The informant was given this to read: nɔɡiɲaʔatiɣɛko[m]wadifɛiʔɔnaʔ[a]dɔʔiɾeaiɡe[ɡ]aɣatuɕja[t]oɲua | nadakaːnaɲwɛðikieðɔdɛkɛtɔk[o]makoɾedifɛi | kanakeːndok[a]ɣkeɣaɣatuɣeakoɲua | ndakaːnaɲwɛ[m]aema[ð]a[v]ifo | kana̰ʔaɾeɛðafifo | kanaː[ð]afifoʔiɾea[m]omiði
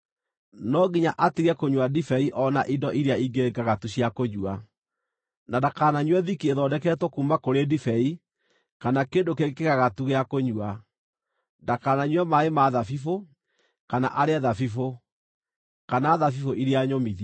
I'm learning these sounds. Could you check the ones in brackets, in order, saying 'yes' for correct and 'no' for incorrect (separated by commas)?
no, no, yes, no, no, no, yes, yes, no, yes, no